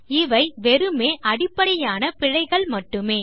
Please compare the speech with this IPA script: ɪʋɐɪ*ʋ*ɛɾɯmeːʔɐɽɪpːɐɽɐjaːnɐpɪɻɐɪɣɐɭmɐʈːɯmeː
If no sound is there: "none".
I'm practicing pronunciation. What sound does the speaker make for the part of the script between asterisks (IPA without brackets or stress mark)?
ʋ